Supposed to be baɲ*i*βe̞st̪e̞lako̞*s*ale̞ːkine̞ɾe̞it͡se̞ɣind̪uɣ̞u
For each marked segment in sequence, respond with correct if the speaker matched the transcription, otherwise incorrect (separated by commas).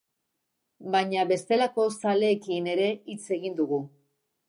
incorrect, correct